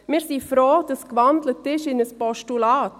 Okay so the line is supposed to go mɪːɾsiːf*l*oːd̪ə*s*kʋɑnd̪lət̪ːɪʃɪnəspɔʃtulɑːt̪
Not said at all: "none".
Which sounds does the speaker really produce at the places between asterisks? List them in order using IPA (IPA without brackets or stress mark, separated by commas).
ɾ, s